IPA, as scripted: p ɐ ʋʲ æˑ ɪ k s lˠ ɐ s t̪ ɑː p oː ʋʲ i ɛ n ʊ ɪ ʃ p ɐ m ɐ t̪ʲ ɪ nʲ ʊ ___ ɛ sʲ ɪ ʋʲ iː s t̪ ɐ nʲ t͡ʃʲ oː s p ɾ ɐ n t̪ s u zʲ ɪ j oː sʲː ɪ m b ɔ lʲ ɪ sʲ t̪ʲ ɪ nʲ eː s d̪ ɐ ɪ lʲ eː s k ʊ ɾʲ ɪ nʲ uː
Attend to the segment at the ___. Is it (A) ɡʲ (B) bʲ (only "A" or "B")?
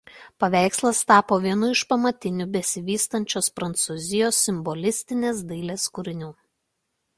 B